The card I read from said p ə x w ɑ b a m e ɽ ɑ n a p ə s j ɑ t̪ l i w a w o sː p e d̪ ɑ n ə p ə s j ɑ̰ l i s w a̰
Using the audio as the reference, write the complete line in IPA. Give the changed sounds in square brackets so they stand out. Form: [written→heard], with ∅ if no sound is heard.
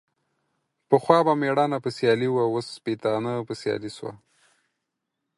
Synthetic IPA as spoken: p ə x w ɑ b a m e ɽ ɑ n a p ə s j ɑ [t̪→∅] l i w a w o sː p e [d̪→t̪] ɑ n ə p ə s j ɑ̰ l i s w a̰